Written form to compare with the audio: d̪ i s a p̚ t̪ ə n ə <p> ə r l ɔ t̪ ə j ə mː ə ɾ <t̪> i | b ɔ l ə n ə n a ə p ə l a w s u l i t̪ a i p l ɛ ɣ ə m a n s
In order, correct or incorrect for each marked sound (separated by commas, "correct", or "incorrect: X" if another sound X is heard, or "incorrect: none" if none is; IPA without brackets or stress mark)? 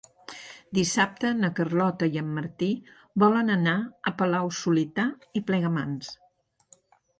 incorrect: k, correct